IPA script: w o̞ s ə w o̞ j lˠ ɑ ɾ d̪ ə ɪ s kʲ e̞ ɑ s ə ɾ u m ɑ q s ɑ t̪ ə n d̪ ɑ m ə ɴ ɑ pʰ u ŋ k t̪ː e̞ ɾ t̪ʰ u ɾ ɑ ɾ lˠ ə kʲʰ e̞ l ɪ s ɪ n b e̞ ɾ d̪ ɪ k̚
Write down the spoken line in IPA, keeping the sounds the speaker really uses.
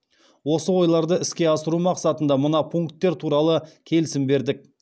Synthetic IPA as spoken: w o̞ s ə w o̞ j lˠ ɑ ɾ d̪ ə ɪ s kʲ e̞ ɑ s ə ɾ u m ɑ q s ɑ t̪ ə n d̪ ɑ m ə n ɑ pʰ u ŋ k t̪ː e̞ ɾ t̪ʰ u ɾ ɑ lˠ ə kʲʰ e̞ l ɪ s ɪ m b e̞ ɾ d̪ ɪ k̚